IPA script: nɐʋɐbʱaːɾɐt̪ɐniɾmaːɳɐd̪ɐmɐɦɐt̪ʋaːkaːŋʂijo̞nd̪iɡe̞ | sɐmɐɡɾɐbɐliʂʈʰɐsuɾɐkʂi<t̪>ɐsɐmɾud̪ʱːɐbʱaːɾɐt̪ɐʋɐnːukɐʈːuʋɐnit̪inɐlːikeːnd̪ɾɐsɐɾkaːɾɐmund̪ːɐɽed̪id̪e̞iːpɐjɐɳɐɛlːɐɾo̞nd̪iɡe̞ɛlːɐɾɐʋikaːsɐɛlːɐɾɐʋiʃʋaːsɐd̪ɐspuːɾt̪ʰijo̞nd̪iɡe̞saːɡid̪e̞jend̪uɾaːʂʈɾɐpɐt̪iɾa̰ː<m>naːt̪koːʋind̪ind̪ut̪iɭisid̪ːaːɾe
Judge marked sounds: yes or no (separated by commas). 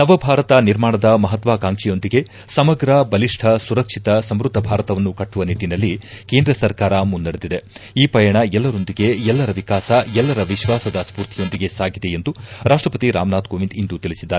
yes, yes